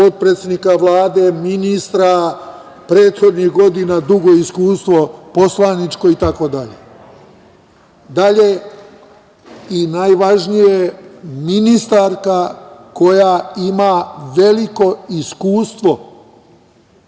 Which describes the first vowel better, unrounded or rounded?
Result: rounded